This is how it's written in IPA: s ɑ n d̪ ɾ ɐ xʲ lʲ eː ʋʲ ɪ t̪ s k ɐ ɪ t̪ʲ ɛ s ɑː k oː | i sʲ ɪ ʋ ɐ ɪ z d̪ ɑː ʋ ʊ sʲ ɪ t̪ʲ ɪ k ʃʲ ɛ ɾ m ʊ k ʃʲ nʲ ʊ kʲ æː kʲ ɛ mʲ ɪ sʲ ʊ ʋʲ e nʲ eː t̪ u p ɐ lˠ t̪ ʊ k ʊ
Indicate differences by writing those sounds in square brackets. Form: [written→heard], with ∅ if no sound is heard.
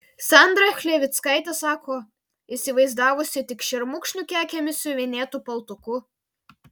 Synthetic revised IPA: s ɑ n d̪ ɾ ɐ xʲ lʲ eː ʋʲ ɪ t̪ s k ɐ ɪ t̪ʲ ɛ s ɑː k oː | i sʲ ɪ ʋ ɐ ɪ z d̪ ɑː ʋ ʊ sʲ ɪ t̪ʲ ɪ k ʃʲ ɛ ɾ m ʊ k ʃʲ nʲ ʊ kʲ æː kʲ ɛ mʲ ɪ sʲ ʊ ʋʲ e nʲ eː t̪ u p ɐ lˠ t̪ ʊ k ʊ